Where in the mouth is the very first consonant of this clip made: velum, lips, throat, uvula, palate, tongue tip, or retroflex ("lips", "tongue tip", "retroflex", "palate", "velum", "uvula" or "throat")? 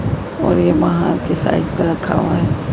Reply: tongue tip